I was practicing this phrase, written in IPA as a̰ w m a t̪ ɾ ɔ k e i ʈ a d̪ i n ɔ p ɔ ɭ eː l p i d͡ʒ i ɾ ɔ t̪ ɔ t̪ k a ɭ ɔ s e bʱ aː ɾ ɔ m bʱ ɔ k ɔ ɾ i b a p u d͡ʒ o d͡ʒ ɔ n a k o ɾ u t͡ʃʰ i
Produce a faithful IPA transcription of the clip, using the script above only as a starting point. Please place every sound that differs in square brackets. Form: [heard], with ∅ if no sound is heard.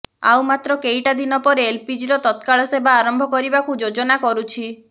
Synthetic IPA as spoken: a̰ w m a t̪ ɾ ɔ k e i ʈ a d̪ i n ɔ p ɔ [ɾ] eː l p i d͡ʒ i ɾ ɔ t̪ ɔ t̪ k a ɭ ɔ s e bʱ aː ɾ ɔ m bʱ ɔ k ɔ ɾ i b a [k] u d͡ʒ o d͡ʒ ɔ n a k [ɔ] ɾ u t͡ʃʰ i